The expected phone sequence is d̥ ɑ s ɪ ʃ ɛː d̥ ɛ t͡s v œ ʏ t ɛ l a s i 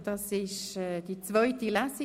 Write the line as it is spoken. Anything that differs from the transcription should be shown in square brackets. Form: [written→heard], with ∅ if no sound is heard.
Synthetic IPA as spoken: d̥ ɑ s ɪ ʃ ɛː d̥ [ɛ→i] t͡s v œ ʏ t [ɛ→i] l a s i